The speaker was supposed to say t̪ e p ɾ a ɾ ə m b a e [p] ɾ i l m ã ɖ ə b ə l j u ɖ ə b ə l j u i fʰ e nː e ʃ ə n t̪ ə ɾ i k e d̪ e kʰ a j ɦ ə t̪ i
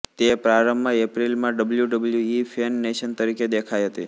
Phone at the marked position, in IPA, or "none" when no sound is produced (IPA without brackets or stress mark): p